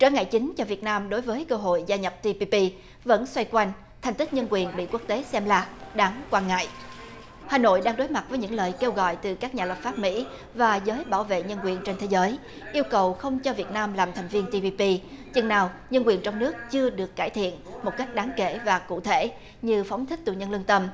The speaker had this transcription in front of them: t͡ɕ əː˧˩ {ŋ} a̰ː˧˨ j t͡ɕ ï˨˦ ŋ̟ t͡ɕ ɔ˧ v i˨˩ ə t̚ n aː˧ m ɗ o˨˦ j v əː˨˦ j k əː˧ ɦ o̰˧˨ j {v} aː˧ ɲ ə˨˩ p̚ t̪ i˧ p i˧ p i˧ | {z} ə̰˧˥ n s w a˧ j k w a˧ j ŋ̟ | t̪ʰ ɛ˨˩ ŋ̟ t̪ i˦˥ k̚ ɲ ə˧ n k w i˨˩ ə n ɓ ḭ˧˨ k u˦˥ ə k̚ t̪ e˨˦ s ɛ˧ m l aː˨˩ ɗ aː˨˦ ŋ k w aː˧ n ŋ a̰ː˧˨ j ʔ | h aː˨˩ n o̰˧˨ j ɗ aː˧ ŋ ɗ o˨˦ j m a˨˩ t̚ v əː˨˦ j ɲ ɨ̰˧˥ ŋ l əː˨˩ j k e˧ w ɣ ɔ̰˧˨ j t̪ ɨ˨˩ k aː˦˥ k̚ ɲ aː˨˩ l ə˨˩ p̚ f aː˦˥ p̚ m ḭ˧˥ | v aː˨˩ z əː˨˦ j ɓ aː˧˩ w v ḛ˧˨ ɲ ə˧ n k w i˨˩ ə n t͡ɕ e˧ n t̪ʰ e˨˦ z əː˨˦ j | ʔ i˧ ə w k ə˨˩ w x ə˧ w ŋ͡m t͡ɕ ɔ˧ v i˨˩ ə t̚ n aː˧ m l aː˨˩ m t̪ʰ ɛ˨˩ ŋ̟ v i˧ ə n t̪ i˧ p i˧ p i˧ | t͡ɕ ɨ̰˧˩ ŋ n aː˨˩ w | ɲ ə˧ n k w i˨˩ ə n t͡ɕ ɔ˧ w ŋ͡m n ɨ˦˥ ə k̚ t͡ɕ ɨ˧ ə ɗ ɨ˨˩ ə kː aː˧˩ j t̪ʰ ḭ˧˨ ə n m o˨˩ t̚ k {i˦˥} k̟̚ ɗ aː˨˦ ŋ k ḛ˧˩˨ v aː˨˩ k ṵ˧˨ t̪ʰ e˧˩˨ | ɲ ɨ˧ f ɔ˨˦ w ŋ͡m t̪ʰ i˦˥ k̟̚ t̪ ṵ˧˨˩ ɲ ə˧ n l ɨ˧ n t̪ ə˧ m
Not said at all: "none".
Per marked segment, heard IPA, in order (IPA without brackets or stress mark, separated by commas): ŋ, z, v, a˦˥